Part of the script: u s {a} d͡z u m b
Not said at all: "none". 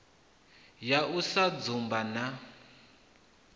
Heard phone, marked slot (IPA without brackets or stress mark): a